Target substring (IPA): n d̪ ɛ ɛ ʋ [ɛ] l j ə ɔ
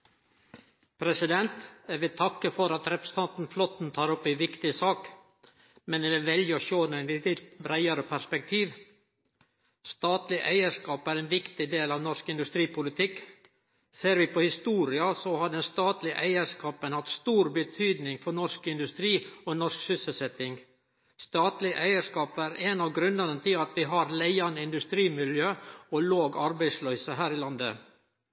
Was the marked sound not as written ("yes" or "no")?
no